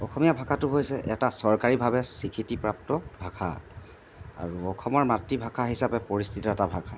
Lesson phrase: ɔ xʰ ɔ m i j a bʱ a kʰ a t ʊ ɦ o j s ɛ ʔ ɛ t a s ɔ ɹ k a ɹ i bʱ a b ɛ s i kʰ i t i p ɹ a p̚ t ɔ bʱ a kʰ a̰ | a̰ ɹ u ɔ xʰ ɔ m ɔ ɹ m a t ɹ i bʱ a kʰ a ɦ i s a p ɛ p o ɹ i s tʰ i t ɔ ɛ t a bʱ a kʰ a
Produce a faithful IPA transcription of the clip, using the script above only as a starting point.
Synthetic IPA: ɔ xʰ ɔ m i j a bʱ a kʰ a t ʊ ɦ o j s ɛ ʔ ɛ t a s ɔ ɹ k a ɹ i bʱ a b ɛ s i kʰ i t i p ɹ a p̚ t ɔ bʱ a kʰ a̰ | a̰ ɹ u ɔ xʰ ɔ m ɔ ɹ m a t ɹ i bʱ a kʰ a ɦ i s a p ɛ p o ɹ i s tʰ i t ɔ ɛ t a bʱ a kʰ a